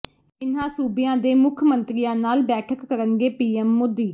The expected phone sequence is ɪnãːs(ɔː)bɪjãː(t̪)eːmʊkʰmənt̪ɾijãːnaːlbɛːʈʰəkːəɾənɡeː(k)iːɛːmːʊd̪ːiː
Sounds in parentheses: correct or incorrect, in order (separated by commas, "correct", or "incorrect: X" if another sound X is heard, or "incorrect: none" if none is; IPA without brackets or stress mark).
incorrect: uː, incorrect: d̪, incorrect: p